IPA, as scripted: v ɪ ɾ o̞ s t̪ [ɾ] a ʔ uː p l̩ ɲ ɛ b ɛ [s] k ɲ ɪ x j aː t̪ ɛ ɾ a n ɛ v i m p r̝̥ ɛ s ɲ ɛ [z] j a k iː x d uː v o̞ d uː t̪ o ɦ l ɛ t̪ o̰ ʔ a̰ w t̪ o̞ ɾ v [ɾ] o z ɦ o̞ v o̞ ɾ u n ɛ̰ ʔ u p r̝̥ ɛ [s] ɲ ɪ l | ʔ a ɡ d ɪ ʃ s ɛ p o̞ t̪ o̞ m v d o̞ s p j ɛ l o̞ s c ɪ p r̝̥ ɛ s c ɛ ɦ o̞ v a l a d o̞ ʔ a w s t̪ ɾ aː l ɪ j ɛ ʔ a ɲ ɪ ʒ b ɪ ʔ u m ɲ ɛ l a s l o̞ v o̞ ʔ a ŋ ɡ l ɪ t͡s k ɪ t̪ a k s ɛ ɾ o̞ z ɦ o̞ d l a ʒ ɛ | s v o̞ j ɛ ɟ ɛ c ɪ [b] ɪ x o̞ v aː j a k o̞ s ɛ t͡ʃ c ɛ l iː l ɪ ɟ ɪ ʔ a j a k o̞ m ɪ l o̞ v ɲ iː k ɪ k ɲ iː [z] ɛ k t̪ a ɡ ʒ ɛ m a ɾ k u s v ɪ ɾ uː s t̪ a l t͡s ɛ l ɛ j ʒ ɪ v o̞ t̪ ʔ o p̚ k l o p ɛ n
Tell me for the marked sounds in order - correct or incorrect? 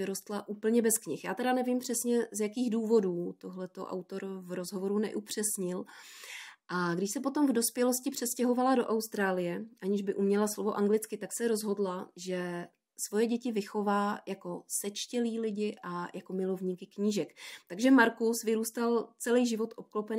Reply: incorrect, correct, correct, correct, correct, incorrect, incorrect

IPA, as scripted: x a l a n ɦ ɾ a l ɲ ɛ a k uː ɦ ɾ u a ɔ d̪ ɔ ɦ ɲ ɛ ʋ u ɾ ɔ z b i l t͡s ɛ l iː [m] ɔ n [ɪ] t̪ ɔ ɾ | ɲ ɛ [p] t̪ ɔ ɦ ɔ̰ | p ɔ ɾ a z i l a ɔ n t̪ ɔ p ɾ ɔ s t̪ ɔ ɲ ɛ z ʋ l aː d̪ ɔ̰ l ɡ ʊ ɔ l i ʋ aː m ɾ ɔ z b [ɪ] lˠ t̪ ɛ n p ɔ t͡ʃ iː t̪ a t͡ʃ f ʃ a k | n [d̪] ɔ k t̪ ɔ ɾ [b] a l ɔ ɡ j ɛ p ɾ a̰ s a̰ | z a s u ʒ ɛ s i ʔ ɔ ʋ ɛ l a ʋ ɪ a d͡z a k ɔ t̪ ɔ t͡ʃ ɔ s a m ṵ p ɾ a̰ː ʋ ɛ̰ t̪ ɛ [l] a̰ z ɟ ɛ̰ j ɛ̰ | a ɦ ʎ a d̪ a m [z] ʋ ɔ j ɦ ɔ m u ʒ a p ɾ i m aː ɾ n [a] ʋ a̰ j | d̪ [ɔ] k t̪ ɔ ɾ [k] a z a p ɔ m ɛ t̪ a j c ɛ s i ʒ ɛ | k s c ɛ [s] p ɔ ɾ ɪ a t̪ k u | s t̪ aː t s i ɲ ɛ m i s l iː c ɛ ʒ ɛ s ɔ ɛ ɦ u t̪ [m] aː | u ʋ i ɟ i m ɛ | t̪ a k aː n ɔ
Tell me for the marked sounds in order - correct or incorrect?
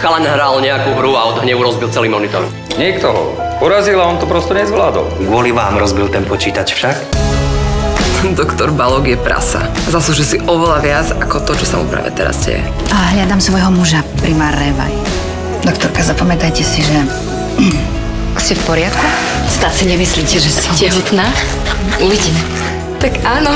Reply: correct, incorrect, incorrect, incorrect, correct, correct, incorrect, incorrect, incorrect, correct, correct, incorrect, incorrect

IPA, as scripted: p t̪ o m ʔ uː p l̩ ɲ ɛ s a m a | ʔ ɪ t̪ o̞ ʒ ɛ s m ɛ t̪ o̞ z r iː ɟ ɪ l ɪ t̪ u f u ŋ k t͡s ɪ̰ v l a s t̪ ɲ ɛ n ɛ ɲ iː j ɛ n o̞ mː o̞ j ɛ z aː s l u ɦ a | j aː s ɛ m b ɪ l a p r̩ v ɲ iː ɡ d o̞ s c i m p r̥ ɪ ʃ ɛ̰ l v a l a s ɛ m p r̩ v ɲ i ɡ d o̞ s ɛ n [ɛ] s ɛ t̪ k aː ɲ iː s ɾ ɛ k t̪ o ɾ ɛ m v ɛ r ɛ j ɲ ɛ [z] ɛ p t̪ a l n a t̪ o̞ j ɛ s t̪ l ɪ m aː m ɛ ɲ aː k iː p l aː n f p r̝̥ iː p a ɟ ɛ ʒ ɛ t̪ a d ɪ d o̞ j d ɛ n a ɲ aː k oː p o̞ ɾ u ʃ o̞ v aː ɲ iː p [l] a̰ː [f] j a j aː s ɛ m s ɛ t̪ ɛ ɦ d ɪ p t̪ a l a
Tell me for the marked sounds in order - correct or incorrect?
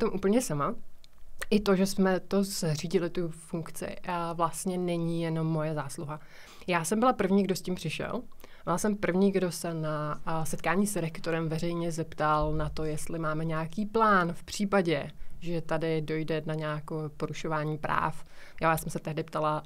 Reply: incorrect, correct, incorrect, correct

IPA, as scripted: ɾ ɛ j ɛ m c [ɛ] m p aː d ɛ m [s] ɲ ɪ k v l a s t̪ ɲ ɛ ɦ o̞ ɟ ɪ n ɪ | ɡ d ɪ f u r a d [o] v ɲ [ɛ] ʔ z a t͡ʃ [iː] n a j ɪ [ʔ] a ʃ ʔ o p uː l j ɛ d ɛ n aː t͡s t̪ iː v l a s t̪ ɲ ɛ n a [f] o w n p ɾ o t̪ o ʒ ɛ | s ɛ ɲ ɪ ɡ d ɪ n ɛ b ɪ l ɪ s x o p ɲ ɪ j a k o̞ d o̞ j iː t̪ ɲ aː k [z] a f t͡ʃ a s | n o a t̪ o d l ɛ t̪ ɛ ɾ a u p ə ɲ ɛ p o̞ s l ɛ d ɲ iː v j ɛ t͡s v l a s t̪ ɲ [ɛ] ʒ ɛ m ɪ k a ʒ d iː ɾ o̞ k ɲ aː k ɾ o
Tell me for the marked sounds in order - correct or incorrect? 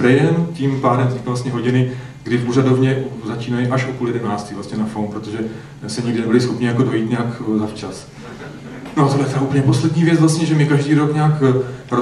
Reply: incorrect, incorrect, correct, correct, correct, correct, correct, correct, correct

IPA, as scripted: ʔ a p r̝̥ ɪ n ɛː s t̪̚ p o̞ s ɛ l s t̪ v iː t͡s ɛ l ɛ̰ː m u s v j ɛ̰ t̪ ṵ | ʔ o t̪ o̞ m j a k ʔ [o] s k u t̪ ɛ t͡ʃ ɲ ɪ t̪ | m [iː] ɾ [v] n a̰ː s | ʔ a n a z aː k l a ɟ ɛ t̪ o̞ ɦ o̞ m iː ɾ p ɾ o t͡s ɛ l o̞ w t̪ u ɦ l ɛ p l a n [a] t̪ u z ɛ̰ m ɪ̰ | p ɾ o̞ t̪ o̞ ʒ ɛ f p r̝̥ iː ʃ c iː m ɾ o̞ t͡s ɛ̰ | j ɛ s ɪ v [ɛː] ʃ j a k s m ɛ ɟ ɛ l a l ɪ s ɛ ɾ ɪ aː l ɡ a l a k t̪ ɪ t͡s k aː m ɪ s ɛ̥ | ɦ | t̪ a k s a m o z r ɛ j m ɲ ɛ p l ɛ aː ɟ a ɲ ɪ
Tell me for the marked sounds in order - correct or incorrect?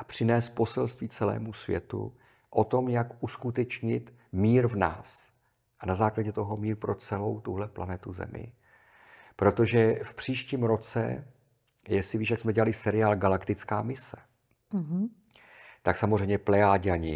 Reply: incorrect, correct, correct, incorrect, incorrect

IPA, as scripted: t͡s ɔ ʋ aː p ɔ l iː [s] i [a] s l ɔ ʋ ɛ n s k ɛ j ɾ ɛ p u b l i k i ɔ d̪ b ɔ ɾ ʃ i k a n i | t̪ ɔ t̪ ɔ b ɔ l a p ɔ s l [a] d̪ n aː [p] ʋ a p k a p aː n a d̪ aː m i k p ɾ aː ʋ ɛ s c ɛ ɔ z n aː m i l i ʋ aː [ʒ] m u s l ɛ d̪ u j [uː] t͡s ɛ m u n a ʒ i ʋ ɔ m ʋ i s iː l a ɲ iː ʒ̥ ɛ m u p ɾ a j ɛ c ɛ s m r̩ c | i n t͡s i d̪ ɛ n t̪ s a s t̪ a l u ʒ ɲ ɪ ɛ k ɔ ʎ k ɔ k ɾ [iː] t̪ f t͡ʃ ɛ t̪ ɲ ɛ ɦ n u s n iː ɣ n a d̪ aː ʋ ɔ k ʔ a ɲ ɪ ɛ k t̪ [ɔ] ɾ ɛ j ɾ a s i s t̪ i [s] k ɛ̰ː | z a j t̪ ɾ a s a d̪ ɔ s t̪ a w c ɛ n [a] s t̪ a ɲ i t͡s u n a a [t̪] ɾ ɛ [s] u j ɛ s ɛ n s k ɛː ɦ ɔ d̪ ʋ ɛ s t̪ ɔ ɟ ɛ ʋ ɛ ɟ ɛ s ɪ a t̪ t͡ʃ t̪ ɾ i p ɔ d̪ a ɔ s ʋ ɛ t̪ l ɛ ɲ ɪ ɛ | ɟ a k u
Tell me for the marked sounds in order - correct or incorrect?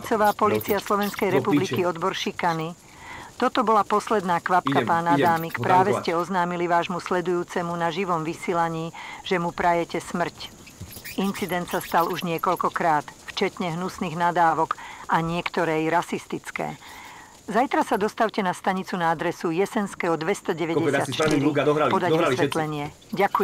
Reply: incorrect, correct, incorrect, incorrect, correct, correct, incorrect, correct, incorrect, correct, incorrect, correct

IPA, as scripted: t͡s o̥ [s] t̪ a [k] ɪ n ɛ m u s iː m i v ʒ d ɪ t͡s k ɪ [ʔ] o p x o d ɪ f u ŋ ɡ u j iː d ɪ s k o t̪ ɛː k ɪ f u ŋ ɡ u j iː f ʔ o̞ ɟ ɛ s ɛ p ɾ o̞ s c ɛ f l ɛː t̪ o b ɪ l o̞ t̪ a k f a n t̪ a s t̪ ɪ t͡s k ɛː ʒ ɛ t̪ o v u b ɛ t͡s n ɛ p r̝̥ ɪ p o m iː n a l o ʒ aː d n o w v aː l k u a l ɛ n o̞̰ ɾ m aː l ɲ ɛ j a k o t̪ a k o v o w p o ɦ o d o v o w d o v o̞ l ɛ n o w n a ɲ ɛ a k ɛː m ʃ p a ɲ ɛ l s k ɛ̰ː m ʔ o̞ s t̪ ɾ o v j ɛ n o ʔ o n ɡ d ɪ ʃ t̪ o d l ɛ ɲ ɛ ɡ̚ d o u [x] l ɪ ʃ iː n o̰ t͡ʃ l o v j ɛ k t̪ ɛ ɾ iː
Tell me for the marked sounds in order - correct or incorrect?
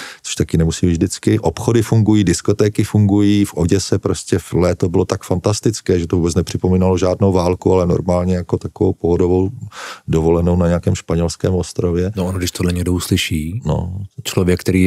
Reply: incorrect, correct, correct, incorrect

